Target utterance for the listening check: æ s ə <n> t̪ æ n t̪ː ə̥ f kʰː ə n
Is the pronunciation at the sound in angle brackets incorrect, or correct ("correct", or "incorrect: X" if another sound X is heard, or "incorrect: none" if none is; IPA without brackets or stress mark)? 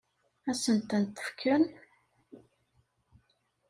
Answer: correct